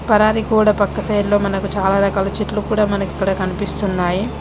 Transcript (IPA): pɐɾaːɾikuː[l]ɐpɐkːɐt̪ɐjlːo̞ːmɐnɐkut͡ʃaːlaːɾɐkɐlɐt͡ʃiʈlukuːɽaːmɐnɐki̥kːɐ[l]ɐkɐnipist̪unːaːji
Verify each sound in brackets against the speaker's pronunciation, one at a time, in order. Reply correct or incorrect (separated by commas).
incorrect, incorrect